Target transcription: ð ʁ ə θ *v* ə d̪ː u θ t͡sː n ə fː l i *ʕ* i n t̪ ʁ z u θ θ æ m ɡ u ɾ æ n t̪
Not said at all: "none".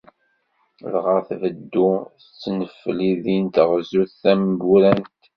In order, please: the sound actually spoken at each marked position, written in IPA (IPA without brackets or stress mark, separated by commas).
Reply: v, ð